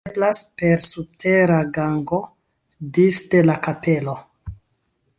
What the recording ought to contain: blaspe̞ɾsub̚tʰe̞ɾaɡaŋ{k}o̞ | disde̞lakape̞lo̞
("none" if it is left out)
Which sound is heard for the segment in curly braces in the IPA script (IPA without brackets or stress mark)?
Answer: ɡ